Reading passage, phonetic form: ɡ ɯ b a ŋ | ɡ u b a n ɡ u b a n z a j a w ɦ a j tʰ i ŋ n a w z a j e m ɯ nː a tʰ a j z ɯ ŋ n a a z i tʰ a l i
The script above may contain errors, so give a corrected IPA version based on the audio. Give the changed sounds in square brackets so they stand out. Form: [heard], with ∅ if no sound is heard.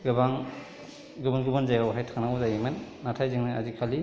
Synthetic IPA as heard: ɡ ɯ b a ŋ | ɡ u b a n ɡ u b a n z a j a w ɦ a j tʰ [a] ŋ n a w z a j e m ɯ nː a tʰ a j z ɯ ŋ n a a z i [kʰ] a l i